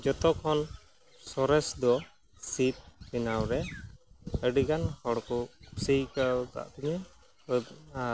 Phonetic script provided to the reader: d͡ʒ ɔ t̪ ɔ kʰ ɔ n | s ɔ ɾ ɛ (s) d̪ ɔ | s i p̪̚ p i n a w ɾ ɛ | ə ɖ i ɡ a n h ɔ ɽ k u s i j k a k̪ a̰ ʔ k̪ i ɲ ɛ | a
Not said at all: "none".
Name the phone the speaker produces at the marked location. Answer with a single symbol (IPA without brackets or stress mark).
s